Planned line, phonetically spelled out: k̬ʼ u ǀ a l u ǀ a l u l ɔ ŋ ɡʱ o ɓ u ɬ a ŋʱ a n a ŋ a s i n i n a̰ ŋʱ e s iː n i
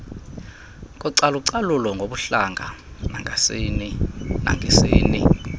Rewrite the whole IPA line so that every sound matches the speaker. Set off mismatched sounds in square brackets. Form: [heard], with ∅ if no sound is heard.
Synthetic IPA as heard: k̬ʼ u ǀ a l u ǀ a l u l ɔ ŋ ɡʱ o ɓ u ɬ a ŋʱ a n a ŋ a s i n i n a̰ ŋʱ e s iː n i

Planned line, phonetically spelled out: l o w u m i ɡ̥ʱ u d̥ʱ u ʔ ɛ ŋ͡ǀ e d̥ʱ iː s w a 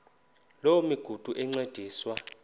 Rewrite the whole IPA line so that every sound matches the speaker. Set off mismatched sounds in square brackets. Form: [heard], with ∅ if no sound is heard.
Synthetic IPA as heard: l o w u m i ɡ̥ʱ u d̥ʱ u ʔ ɛ ŋ͡ǀ e d̥ʱ iː s w a

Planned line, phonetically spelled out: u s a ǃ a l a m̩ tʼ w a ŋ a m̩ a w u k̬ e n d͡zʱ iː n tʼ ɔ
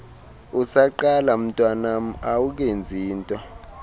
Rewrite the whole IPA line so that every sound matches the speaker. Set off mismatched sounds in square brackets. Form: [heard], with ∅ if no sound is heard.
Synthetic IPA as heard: u s a ǃ a l a m̩ tʼ w a [n] a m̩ a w u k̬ e n d͡zʱ iː n tʼ ɔ

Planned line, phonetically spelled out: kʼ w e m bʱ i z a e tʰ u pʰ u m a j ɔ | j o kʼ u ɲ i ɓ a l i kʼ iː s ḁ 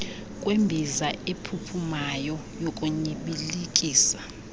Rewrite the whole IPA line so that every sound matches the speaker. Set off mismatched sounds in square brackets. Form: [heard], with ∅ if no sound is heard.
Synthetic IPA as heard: kʼ w e m bʱ i z a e [pʰ] u pʰ u m a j ɔ | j o kʼ u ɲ i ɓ [i] l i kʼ iː s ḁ

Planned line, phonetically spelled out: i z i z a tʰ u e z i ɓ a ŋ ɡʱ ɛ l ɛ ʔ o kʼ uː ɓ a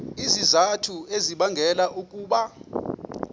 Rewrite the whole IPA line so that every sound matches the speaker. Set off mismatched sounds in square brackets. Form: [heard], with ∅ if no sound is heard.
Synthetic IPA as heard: i z i z a tʰ u e z i ɓ a ŋ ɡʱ ɛ l [a] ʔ [u] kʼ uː ɓ a

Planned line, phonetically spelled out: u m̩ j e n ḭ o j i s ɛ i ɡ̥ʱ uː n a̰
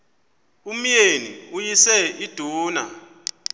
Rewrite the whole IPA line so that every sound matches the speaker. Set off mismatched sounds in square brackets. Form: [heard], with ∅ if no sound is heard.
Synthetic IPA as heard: u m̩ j e n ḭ [u] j i s ɛ i [d̥ʱ] uː n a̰

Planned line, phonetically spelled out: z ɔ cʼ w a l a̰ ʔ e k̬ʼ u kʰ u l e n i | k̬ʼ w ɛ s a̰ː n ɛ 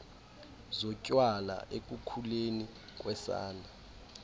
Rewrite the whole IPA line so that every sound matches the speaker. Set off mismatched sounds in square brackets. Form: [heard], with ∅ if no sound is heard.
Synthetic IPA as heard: z ɔ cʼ w a l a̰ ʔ e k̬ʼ u kʰ u l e n i | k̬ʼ w ɛ s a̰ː n [a]

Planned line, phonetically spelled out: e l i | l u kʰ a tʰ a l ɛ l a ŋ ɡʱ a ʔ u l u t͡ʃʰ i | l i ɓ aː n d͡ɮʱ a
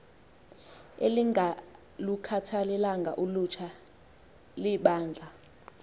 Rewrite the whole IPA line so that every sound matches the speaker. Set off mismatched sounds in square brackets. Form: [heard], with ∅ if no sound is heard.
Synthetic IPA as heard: e l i | l u kʰ a tʰ a l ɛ l a ŋ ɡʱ a ʔ u l u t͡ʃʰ [a] | l i ɓ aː n d͡ɮʱ a

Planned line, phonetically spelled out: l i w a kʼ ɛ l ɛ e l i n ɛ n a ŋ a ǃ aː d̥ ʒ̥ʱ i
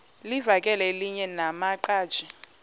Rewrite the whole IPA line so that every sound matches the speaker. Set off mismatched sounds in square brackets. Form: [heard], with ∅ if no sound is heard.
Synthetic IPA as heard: l i [v] a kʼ ɛ l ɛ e l i [ɲ] ɛ n a [m] a ǃ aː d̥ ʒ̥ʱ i

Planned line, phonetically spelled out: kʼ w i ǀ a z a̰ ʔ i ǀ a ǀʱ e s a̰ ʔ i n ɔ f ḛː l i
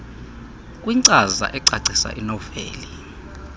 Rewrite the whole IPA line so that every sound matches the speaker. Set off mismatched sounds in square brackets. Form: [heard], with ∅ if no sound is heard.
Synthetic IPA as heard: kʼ w i ǀ a z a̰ ʔ [ɛ] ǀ a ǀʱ [i] s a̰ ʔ i n ɔ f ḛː l i

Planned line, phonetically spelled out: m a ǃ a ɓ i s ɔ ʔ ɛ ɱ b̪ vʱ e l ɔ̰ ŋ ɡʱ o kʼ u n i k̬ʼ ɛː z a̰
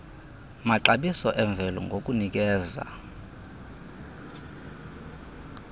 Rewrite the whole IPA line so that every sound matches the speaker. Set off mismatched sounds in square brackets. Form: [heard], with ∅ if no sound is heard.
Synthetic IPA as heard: m a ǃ a ɓ i s ɔ ʔ ɛ ɱ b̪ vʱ [ɛ] l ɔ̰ ŋ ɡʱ o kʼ u n i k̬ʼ ɛː z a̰

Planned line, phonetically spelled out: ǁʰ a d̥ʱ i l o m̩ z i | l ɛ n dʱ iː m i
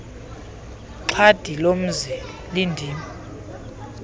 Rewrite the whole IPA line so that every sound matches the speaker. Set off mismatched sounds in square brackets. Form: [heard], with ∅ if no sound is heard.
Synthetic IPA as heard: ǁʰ a d̥ʱ i l o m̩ z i | l [i] n dʱ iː m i

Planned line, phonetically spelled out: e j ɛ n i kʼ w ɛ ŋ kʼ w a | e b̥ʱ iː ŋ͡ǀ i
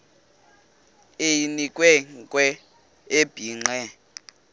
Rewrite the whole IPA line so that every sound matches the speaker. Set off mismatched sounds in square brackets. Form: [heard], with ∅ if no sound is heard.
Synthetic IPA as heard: e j [i] n i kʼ w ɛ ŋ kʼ w [ɛ] | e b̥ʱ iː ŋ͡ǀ [ɛ]

